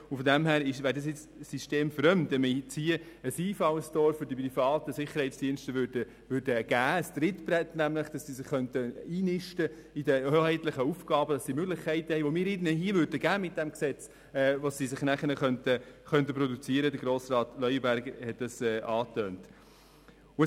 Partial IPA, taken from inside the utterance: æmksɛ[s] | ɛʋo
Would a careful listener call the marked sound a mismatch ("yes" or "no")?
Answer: yes